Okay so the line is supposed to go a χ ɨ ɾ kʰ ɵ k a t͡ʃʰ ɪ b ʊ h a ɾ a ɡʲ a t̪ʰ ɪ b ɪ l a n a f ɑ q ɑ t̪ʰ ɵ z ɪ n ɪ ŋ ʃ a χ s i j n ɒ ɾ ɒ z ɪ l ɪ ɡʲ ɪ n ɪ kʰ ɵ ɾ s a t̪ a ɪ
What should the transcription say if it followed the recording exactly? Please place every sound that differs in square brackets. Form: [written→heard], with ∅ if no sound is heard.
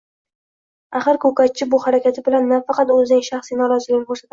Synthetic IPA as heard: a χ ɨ ɾ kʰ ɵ k a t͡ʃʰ ɪ b ʊ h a ɾ a [ɡʲ→kʲ] a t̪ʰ ɪ b ɪ l a [n→nː] a f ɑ q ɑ [t̪ʰ→t̪] ɵ z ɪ n ɪ ŋ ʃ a χ s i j n ɒ ɾ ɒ z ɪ l ɪ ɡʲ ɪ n ɪ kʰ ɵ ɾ s a t̪ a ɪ